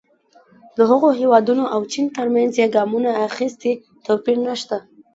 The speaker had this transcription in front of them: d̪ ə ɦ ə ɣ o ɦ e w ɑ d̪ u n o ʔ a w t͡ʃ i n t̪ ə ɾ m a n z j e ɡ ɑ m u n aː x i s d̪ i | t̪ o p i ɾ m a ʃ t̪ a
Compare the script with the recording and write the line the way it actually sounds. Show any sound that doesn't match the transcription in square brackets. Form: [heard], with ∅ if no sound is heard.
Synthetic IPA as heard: d̪ ə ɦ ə ɣ o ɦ e w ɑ d̪ u n o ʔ a w t͡ʃ i n t̪ ə ɾ m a n z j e ɡ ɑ m u n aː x i s [t̪] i | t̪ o p i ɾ [n] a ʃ t̪ a